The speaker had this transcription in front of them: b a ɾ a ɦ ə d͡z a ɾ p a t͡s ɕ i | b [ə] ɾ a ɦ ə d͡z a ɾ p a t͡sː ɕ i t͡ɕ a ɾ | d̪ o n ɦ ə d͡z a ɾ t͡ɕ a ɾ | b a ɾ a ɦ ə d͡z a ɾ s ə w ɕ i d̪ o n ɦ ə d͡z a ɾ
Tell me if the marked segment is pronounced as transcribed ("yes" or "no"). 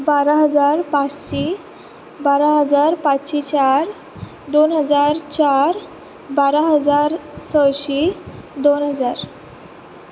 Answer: no